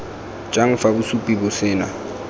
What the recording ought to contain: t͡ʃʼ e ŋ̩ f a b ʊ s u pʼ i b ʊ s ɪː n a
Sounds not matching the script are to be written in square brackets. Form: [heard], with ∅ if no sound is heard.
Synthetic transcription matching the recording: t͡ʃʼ [a] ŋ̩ f a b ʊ s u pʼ i b ʊ s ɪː n a

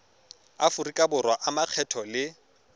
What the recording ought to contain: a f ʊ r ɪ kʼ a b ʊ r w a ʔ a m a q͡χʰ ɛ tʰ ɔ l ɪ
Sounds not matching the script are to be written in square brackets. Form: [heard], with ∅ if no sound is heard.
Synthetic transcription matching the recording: a f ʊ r [i] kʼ a b ʊ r w a ʔ a m a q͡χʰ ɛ tʰ ɔ l ɪ

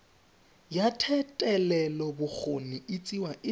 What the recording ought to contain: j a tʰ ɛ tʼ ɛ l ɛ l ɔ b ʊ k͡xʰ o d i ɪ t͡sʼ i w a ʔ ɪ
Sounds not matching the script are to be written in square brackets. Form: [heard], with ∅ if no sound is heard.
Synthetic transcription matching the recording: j a tʰ ɛ tʼ ɛ l ɛ l ɔ b ʊ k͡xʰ o [n] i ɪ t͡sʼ i w a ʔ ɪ

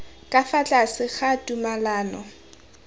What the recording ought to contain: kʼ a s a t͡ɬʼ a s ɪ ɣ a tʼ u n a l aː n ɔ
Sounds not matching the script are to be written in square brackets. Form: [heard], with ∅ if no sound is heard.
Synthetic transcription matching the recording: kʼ a [f] a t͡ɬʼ a s ɪ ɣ a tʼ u [m] a l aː n ɔ

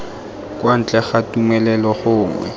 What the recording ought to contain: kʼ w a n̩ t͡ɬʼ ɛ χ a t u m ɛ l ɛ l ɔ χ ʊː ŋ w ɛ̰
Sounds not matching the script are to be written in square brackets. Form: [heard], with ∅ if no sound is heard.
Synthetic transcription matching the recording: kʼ w a n̩ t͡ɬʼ ɛ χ a t u m ɛ l ɛ l ɔ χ ʊː ŋ w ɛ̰

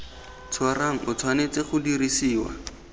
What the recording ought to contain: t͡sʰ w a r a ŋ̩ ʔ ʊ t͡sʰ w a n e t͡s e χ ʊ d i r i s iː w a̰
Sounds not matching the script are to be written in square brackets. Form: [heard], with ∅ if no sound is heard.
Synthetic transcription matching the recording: t͡sʰ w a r a ŋ̩ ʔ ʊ t͡sʰ w a n e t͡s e χ ʊ d i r i s iː w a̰

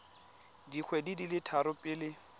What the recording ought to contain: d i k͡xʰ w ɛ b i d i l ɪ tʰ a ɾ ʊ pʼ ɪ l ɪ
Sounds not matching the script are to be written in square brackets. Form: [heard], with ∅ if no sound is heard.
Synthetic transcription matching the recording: d i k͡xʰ w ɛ [d] i d i l ɪ tʰ a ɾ ʊ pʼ ɪ l ɪ

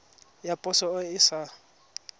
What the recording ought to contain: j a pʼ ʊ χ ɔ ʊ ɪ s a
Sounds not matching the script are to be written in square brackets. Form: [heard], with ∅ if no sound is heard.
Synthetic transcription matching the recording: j a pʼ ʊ [s] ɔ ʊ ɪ s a

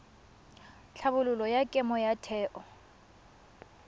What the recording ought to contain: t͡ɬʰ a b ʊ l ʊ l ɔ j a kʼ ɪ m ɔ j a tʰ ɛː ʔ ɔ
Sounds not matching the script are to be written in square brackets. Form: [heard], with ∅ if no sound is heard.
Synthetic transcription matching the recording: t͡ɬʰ a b ʊ l ʊ l ɔ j a kʼ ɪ m ɔ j a tʰ ɛː ʔ ɔ

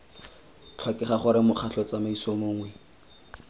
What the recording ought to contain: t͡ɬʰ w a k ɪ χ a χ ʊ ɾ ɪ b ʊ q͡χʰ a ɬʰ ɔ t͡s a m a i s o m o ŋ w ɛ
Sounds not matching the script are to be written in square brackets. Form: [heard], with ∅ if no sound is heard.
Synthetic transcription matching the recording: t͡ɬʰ w a k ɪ χ a χ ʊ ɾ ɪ [m] ʊ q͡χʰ a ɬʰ ɔ t͡s a m a i s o m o ŋ w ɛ

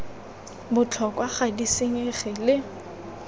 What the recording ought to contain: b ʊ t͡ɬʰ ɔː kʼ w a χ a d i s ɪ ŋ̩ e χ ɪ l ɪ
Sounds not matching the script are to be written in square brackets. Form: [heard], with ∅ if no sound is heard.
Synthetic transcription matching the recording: b ʊ t͡ɬʰ [ɔ] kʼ w a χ a d i s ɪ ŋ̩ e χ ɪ l ɪ

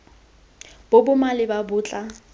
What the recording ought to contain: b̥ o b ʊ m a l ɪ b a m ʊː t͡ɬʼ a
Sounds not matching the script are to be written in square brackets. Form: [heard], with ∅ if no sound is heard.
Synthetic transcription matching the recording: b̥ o b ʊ m a l ɪ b a [b] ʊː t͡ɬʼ a

